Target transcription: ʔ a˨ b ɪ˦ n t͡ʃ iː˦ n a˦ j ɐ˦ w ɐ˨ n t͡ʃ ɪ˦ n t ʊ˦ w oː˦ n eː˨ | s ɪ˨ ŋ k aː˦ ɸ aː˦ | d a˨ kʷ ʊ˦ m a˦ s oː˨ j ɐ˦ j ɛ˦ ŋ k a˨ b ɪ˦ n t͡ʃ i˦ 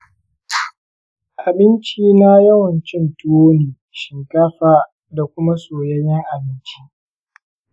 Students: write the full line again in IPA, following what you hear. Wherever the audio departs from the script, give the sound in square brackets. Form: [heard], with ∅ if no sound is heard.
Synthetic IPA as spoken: ʔ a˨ b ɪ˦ n t͡ʃ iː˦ n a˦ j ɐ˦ w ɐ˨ n t͡ʃ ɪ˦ n t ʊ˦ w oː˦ n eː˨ | [ʃ] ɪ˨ ŋ k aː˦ ɸ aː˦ | d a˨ kʷ ʊ˦ m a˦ s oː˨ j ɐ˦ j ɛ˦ ŋ [ʔ] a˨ b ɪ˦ n t͡ʃ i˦